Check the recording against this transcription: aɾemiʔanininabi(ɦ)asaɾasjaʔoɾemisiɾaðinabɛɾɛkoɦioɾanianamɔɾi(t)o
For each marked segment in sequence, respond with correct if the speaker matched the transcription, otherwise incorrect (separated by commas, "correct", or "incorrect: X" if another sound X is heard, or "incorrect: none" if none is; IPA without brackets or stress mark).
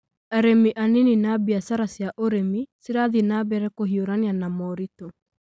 incorrect: none, correct